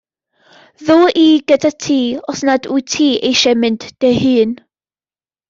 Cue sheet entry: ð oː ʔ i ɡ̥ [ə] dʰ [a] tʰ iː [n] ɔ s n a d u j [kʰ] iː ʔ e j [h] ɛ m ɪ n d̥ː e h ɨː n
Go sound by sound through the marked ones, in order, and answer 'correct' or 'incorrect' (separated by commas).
correct, correct, incorrect, incorrect, incorrect